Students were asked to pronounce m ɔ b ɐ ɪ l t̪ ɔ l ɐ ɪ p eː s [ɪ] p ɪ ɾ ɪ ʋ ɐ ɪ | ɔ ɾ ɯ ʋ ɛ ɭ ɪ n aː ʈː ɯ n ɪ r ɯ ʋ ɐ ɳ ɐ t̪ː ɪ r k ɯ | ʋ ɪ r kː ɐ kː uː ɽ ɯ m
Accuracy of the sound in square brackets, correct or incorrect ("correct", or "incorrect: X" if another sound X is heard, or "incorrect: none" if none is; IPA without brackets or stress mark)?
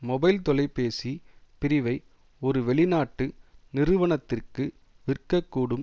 incorrect: i